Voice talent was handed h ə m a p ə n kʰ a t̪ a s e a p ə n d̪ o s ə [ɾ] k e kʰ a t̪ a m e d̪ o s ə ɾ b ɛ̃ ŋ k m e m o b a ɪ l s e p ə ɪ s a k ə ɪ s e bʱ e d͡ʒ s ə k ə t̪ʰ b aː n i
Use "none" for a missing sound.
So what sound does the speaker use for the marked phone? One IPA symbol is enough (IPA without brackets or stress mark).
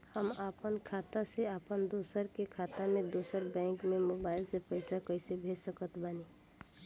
ɾ